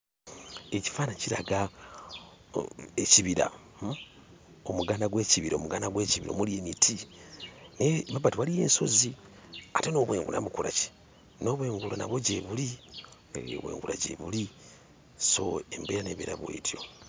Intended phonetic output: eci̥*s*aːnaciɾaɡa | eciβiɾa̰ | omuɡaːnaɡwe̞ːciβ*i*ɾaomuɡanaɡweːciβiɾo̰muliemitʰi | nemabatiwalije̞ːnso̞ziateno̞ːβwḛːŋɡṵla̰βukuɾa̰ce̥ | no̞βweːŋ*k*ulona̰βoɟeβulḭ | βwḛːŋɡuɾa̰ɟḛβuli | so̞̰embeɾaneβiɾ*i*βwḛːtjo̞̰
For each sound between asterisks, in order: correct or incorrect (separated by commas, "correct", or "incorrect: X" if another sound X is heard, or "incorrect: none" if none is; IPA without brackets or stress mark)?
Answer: incorrect: f, correct, incorrect: ɡ, incorrect: a